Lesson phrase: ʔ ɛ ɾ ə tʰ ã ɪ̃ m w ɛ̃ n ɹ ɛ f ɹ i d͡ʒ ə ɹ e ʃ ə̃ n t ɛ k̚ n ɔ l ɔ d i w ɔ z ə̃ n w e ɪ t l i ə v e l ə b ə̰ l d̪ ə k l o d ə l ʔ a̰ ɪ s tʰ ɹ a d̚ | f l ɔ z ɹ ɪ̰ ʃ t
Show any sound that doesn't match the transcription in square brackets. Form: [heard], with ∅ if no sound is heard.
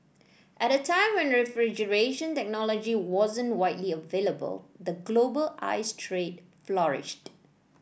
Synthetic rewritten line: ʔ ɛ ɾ ə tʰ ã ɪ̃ m w ɛ̃ n ɹ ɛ f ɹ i d͡ʒ ə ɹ e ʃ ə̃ n t ɛ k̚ n ɔ l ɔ [d͡ʒ] i w ɔ z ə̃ n w [a] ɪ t l i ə v e l ə b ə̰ l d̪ ə [ɡ] l o [b] ə l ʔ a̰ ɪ s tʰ ɹ [e] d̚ | f l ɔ [∅] ɹ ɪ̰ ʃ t